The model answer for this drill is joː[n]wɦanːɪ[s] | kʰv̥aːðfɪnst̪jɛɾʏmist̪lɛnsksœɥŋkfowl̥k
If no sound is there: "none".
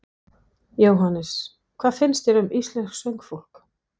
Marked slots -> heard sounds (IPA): none, s

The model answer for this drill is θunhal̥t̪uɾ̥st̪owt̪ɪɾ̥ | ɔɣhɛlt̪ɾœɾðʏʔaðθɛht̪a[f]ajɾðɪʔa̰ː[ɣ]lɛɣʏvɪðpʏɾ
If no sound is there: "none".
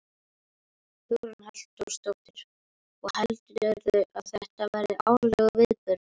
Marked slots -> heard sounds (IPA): v, w

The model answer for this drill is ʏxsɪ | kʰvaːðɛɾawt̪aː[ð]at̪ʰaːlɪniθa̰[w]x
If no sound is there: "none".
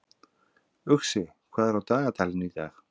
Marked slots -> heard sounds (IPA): ɣ, none

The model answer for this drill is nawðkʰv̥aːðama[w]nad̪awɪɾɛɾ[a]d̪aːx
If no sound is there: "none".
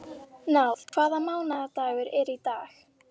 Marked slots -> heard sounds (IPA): w, i

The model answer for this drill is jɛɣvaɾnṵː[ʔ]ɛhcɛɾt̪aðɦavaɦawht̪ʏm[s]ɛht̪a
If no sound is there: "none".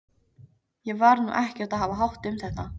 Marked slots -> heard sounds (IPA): ʔ, θ

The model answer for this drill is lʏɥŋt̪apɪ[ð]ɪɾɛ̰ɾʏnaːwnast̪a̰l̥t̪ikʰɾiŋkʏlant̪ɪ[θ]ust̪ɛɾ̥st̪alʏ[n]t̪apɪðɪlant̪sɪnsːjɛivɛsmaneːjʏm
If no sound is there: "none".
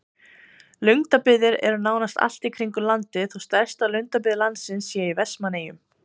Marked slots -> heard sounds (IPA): ð, θ, ŋ

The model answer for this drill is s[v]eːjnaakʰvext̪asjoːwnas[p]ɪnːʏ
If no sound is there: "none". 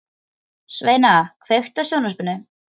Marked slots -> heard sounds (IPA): v, p

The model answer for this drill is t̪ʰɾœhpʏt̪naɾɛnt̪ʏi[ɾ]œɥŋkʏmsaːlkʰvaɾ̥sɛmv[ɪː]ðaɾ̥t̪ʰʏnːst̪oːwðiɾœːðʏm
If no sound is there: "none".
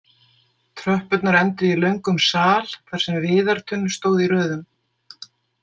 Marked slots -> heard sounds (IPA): l, ɪː

